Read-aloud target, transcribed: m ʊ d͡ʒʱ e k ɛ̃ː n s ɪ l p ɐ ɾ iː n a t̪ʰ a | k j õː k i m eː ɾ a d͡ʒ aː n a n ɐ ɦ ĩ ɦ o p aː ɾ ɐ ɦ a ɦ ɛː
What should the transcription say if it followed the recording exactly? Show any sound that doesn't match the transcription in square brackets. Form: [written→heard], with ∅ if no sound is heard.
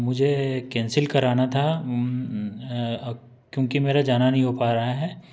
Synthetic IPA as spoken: m ʊ d͡ʒʱ e k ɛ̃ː n s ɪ l [p→k] ɐ ɾ [iː→aː] n a t̪ʰ a | k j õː k i m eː ɾ a d͡ʒ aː n a n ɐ ɦ ĩ ɦ o p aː ɾ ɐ ɦ a ɦ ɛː